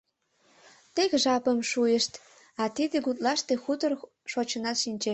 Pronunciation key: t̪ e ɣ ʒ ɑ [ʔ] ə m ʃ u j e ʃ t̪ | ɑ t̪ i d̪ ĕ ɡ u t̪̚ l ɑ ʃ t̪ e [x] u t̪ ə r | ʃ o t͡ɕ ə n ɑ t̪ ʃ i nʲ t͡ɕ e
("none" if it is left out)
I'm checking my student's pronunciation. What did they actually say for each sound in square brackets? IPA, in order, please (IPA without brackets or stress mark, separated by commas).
p, x